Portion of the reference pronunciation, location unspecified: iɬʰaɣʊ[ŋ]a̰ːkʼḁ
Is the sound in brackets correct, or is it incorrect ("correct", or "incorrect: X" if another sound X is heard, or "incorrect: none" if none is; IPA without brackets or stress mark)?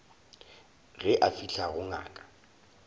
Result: correct